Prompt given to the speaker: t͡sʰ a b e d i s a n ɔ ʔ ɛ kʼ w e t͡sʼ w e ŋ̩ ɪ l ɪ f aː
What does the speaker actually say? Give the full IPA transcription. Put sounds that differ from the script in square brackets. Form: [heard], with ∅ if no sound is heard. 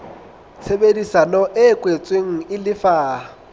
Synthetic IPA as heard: t͡sʰ [e] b e d i s a n ɔ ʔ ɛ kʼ w e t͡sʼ w e ŋ̩ ɪ l ɪ f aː